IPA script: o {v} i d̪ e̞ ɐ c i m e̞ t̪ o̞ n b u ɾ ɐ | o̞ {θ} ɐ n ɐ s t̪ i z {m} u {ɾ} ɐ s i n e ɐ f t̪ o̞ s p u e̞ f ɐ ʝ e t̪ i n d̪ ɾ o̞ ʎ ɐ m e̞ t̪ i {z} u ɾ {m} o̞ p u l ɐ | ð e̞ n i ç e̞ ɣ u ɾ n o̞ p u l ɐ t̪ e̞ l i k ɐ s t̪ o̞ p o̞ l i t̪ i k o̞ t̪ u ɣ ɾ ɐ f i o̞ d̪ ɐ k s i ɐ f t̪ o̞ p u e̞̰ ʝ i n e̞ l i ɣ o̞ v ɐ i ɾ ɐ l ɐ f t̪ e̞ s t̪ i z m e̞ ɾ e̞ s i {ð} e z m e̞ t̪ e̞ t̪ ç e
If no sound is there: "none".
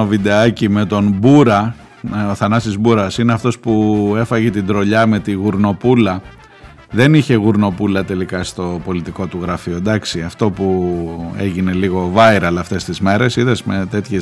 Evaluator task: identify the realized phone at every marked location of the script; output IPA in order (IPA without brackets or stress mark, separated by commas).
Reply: v, θ, b, ɾ, ɣ, n, ð